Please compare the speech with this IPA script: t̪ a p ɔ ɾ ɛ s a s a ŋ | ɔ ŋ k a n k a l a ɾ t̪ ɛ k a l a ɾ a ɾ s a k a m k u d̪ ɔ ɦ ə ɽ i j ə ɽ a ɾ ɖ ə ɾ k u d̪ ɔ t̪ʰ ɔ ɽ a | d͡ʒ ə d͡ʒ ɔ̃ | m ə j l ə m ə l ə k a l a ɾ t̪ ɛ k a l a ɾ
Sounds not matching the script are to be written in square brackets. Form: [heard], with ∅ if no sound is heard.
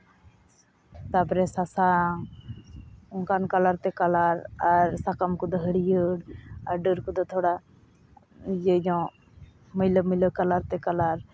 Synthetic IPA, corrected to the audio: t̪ a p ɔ ɾ ɛ s a s a ŋ | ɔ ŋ k a n k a l a ɾ t̪ ɛ k a l a ɾ a ɾ s a k a m k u d̪ ɔ ɦ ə ɽ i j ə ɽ a ɾ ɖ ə ɾ k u d̪ ɔ t̪ʰ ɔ ɽ a | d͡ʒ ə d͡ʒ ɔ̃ | m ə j l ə m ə l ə k a l a ɾ t̪ ɛ k a l a ɾ